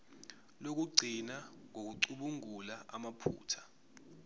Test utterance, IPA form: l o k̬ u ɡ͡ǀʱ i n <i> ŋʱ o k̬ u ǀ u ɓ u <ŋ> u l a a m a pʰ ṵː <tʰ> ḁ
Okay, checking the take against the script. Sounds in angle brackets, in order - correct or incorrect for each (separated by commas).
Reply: incorrect, correct, correct